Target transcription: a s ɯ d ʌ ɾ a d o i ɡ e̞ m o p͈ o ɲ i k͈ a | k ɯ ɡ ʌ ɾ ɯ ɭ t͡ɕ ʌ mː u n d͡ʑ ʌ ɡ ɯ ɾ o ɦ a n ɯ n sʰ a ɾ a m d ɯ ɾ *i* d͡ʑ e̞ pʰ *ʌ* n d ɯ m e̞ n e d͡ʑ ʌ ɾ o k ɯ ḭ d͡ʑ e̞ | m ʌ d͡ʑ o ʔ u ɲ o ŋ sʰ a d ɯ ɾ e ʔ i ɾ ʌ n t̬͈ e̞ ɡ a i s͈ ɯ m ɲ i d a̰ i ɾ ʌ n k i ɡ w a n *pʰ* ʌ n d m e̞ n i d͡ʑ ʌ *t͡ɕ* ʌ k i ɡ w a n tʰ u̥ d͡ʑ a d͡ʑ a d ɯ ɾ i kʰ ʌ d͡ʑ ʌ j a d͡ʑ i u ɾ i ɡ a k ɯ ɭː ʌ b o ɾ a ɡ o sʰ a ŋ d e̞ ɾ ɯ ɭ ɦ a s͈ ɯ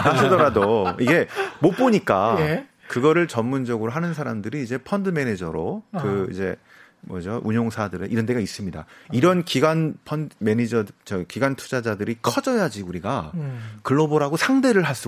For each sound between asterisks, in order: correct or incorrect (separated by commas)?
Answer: incorrect, correct, correct, correct